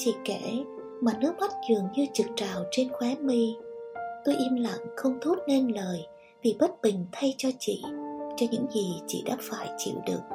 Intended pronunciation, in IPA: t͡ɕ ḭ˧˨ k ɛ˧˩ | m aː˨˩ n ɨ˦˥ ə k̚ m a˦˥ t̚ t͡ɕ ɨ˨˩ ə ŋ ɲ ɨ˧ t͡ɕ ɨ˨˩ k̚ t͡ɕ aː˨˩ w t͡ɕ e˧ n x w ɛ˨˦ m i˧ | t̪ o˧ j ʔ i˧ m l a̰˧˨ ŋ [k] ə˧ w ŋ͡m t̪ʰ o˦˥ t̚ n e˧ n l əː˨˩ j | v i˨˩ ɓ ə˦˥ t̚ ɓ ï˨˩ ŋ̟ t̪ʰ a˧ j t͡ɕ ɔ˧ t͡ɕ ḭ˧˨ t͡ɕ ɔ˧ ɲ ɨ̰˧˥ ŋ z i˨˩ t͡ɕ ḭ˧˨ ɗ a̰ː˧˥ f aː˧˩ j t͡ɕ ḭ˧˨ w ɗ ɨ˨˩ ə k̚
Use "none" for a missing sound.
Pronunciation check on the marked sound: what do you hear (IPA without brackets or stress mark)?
x